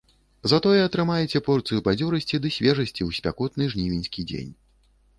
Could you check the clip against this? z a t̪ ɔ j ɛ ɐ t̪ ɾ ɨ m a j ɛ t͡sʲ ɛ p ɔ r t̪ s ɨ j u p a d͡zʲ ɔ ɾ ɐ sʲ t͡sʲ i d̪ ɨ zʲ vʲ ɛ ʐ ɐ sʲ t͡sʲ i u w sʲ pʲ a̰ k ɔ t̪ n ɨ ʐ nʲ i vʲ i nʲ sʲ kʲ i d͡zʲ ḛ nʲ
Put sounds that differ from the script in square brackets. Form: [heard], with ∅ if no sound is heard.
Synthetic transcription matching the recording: z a t̪ ɔ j ɛ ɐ t̪ ɾ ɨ m a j ɛ t͡sʲ ɛ p ɔ r t̪ s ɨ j u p a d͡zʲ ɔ ɾ ɐ sʲ t͡sʲ i d̪ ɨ [sʲ] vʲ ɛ ʐ ɐ sʲ t͡sʲ i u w sʲ pʲ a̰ k ɔ t̪ n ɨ ʐ nʲ i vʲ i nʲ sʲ kʲ i d͡zʲ ḛ nʲ